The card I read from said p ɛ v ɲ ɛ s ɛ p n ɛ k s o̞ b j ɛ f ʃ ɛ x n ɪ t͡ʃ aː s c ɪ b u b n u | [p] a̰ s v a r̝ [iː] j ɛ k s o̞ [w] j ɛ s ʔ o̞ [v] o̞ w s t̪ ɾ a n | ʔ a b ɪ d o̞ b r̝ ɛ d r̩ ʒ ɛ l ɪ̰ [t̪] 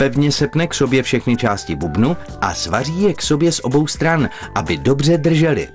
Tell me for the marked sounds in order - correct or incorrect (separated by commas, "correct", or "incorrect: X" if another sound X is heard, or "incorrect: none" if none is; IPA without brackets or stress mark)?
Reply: incorrect: ʔ, correct, incorrect: b, incorrect: b, incorrect: none